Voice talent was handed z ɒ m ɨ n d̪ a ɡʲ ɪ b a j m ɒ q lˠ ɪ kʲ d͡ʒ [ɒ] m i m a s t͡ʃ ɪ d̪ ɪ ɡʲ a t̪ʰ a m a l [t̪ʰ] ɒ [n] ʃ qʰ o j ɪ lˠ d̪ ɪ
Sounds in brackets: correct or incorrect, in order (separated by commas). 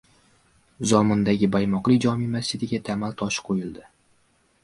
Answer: correct, correct, incorrect